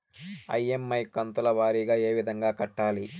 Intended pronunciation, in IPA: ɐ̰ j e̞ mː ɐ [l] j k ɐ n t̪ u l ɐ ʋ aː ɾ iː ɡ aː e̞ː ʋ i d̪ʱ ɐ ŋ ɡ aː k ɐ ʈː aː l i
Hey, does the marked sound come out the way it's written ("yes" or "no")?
no